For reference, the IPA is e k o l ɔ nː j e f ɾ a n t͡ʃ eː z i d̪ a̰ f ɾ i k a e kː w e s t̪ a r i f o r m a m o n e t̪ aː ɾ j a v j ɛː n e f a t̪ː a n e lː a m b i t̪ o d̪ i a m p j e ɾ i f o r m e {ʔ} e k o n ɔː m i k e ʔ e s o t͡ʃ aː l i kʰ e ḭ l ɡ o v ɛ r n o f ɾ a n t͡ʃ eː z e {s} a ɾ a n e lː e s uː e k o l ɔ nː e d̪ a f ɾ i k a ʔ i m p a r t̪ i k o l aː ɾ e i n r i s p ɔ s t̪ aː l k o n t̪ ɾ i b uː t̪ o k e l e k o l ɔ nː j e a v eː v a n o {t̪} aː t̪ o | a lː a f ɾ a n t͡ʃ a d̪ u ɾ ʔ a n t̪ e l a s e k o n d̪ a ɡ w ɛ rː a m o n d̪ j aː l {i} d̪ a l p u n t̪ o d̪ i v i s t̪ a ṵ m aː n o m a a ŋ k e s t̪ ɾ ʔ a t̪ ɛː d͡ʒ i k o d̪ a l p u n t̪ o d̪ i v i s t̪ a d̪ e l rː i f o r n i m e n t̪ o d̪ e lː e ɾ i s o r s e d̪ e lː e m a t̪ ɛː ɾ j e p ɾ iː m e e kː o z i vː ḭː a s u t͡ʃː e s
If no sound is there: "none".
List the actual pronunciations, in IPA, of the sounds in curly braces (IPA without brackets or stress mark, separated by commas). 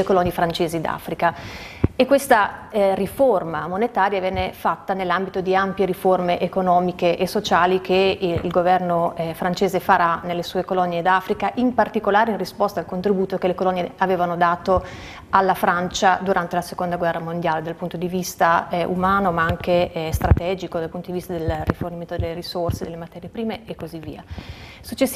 ʔ, f, d̪, e